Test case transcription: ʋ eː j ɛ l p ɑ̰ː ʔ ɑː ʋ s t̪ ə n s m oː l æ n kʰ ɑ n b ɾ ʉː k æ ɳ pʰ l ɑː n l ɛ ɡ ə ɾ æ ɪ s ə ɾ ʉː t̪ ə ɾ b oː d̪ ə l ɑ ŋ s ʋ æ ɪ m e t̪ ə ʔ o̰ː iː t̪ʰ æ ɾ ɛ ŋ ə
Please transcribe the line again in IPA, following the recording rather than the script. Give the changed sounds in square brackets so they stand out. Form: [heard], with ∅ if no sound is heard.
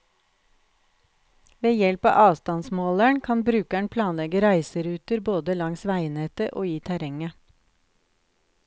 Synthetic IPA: ʋ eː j ɛ l p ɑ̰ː ʔ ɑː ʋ s t̪ [ɑ] n s m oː l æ [ɳ] kʰ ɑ n b ɾ ʉː k æ ɳ pʰ l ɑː n l ɛ ɡ ə ɾ æ ɪ s ə ɾ ʉː t̪ ə ɾ b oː d̪ ə l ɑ ŋ s ʋ æ ɪ [n] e t̪ ə ʔ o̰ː iː t̪ʰ æ ɾ ɛ ŋ ə